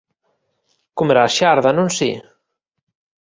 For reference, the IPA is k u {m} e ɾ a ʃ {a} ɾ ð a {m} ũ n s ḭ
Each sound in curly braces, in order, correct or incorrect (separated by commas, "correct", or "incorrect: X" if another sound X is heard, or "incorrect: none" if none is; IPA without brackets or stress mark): correct, correct, incorrect: n